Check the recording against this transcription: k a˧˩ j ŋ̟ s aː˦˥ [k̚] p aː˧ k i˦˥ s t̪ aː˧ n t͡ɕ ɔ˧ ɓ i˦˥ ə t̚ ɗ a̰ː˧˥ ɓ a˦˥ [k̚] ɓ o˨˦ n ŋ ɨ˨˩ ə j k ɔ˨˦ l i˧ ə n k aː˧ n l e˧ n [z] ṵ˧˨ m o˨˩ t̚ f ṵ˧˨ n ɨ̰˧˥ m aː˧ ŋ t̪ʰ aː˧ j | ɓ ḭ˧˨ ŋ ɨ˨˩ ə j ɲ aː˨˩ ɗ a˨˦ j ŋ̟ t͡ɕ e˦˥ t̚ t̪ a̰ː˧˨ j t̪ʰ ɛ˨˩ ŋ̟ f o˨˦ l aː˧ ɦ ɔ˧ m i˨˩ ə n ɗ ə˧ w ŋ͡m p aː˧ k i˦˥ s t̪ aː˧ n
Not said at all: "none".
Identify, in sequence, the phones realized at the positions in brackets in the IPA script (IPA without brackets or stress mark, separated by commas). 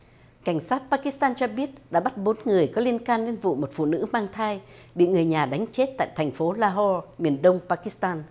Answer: t̚, t̚, v